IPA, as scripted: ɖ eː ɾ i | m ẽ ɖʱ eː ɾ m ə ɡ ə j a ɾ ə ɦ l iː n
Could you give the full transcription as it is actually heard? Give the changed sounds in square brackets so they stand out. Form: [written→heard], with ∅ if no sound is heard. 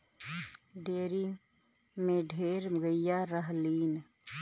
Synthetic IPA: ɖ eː ɾ i | m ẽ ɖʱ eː ɾ m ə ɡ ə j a ɾ ə ɦ l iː n